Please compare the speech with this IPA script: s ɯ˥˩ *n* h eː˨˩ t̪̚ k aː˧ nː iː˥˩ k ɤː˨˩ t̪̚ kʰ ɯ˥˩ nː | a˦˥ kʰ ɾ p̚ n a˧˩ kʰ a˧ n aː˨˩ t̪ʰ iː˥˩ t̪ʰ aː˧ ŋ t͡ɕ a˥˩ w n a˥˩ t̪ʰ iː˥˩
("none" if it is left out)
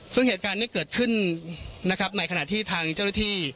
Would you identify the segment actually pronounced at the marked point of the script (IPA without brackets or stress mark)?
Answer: ŋ